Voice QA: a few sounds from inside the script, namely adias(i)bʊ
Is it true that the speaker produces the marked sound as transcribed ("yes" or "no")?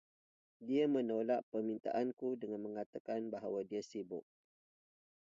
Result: yes